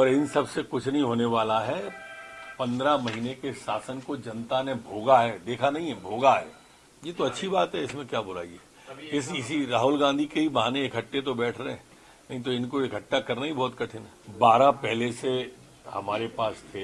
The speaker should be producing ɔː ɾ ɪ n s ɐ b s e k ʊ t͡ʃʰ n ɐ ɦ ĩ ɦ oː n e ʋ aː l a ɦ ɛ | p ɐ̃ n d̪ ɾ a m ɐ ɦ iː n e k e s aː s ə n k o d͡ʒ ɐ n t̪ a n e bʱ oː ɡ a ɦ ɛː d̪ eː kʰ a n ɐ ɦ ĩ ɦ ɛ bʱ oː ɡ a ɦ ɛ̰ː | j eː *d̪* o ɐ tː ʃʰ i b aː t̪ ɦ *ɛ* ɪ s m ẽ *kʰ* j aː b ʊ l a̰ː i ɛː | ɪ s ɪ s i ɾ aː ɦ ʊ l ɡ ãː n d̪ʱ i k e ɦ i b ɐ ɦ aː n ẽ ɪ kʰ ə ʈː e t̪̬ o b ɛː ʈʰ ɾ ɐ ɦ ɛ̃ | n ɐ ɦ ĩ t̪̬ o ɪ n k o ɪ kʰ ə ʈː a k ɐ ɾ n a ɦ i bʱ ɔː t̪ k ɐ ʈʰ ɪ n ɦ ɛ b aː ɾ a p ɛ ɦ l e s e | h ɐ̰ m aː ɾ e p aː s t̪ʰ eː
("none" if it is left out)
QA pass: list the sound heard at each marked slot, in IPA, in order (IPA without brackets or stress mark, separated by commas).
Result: t̪, ɛ, k